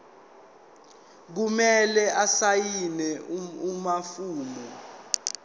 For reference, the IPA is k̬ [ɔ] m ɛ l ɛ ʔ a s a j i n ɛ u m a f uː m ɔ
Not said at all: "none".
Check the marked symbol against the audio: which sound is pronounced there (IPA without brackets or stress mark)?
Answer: u